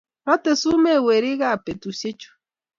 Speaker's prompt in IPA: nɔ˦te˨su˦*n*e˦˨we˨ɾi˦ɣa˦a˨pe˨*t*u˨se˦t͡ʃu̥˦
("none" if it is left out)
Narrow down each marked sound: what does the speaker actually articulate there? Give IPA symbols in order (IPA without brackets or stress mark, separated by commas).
m, t